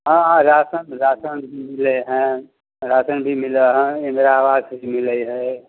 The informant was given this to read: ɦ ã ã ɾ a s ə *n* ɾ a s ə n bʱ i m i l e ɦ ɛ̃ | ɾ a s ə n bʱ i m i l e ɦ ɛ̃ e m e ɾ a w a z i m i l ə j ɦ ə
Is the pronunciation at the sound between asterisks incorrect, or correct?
correct